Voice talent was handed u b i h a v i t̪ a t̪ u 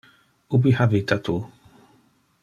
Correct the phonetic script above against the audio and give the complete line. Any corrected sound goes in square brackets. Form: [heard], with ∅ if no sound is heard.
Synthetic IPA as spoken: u b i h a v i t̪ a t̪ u